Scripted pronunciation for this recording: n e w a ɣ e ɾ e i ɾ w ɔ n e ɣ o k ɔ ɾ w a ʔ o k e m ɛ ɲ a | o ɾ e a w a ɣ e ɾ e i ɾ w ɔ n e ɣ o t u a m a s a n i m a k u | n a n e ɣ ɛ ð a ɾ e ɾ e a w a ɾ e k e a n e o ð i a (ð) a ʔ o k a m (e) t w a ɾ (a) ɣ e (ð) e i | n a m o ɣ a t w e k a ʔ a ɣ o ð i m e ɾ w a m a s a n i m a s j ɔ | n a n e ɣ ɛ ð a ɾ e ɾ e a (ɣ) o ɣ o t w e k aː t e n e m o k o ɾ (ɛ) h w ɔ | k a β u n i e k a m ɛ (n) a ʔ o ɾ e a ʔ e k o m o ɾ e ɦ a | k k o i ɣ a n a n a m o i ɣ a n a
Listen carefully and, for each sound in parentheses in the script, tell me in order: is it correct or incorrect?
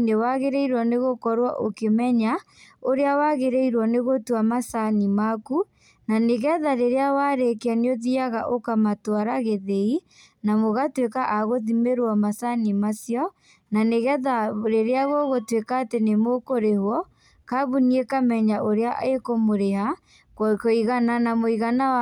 incorrect, incorrect, correct, correct, correct, incorrect, incorrect

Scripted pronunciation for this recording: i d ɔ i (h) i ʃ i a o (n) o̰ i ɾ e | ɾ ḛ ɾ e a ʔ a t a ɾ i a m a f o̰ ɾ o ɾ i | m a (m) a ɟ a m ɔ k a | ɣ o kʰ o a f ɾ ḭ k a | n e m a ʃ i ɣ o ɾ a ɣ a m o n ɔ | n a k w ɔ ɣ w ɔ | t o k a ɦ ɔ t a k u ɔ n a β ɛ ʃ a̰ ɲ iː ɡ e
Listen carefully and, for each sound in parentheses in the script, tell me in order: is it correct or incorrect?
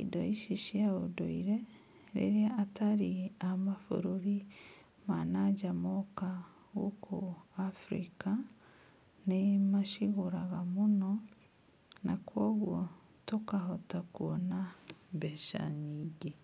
incorrect, incorrect, incorrect

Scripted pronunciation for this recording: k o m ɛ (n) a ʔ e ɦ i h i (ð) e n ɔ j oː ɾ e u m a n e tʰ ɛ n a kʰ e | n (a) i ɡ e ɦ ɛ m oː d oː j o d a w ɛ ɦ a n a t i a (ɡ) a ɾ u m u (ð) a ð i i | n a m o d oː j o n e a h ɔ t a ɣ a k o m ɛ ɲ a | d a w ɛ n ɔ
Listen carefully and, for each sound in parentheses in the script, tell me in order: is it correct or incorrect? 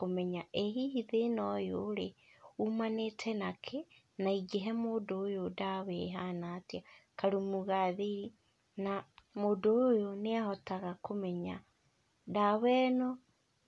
incorrect, correct, correct, incorrect, incorrect

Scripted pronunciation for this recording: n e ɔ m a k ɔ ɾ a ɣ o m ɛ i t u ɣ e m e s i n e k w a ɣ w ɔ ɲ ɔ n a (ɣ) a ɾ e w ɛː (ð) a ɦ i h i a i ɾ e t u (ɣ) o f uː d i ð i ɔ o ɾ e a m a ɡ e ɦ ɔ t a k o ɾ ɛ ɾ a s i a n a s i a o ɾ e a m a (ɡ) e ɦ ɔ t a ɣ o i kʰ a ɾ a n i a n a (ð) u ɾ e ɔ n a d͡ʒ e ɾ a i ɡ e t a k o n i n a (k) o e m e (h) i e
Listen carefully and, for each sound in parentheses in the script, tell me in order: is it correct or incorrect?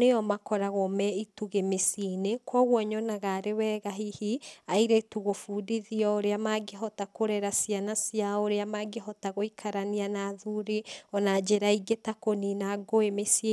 correct, incorrect, correct, correct, correct, incorrect, incorrect

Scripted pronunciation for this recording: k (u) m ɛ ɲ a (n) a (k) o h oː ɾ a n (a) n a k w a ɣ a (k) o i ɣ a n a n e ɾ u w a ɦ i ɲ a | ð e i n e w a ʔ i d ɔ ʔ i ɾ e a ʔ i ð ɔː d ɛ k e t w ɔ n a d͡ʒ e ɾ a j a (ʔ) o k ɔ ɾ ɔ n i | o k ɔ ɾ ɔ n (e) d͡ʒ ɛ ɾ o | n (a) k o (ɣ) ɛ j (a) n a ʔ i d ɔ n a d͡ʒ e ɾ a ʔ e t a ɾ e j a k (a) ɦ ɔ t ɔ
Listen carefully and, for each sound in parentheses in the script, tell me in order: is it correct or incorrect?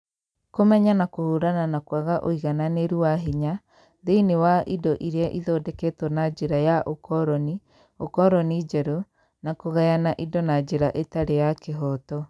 incorrect, correct, correct, correct, incorrect, correct, incorrect, correct, correct, correct, incorrect

